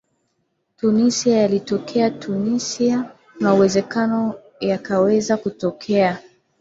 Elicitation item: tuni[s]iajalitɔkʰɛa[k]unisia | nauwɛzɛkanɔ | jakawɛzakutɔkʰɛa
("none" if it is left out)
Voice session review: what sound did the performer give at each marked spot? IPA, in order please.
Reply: s, t

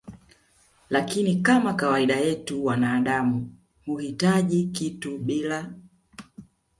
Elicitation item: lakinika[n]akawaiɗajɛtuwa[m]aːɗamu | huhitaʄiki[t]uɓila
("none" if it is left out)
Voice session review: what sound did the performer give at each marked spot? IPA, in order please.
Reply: m, n, t

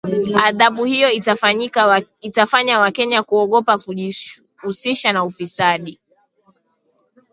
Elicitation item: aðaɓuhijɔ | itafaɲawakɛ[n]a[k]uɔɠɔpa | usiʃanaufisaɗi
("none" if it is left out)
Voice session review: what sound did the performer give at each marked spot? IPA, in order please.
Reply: ɲ, k

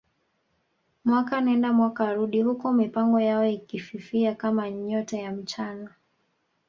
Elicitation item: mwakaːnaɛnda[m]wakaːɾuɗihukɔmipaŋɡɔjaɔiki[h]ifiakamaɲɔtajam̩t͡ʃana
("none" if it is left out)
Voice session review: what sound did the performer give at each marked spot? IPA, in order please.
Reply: m, f

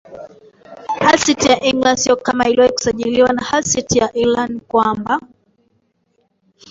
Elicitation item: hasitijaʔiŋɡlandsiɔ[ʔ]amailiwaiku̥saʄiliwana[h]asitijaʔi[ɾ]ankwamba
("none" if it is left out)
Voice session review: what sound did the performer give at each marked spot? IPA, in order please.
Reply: k, h, l

